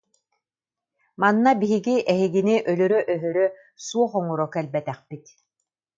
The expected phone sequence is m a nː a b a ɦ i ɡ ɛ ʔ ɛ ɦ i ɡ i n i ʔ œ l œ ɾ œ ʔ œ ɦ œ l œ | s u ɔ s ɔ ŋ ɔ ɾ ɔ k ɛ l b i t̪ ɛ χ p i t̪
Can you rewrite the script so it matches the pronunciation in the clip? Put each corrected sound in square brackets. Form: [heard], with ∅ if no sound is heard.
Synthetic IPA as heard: m a nː a b [i] ɦ i ɡ [i] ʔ ɛ ɦ i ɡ i n i ʔ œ l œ ɾ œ ʔ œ ɦ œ [ɾ] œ | s u ɔ [χ] ɔ ŋ ɔ ɾ ɔ k ɛ l b [ɛ] t̪ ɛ χ p i t̪